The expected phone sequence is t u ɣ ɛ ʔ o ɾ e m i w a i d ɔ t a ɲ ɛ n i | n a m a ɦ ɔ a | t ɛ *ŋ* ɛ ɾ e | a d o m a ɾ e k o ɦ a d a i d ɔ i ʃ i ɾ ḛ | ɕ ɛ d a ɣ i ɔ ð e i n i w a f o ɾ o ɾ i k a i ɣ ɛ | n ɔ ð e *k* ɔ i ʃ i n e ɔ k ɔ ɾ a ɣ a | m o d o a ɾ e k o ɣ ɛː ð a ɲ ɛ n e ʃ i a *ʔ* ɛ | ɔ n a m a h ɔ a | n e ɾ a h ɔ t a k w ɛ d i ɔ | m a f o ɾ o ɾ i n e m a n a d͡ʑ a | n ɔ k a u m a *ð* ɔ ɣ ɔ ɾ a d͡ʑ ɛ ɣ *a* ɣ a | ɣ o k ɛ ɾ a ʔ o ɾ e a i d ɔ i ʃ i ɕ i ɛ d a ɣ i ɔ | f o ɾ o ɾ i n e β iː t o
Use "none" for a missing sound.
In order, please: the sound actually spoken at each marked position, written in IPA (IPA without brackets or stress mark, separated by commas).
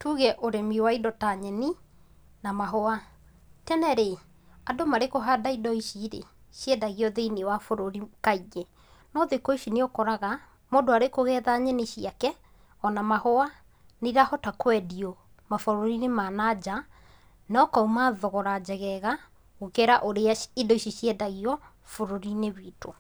n, k, k, ð, ɛ